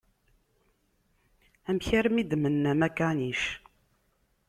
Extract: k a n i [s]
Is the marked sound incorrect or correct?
incorrect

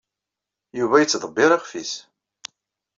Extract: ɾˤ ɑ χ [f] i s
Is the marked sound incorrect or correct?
correct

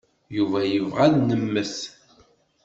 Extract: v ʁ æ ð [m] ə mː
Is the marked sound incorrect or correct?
incorrect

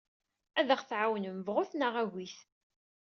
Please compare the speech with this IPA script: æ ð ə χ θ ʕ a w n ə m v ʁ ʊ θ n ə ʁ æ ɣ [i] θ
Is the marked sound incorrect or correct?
correct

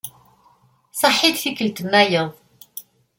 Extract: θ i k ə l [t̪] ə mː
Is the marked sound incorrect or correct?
correct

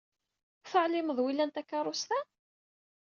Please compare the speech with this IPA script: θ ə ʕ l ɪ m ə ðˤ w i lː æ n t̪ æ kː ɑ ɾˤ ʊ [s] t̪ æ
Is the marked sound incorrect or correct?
correct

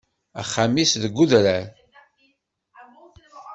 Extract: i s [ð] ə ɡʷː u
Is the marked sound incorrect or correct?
correct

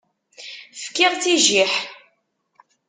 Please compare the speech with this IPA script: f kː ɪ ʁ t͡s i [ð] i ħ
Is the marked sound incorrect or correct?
incorrect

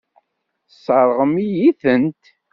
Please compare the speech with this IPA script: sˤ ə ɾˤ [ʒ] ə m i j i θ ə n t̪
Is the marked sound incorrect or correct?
incorrect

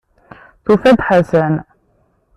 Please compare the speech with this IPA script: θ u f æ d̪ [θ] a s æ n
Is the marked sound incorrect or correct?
incorrect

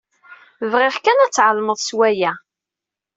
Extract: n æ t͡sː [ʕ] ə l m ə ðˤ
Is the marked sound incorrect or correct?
correct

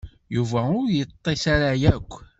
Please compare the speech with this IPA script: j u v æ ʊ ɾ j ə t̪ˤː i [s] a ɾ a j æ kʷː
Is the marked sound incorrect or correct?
correct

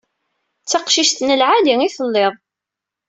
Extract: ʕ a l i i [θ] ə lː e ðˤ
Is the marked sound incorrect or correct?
correct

